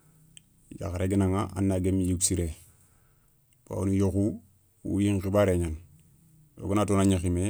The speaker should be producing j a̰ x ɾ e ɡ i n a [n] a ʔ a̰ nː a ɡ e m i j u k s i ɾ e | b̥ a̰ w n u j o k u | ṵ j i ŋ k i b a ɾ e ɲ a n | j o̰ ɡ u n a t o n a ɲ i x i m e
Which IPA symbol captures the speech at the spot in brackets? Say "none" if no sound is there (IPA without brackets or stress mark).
ŋ